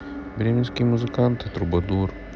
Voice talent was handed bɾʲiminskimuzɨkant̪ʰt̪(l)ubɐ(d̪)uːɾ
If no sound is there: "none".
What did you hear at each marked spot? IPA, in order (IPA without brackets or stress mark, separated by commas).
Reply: ɾ, d̪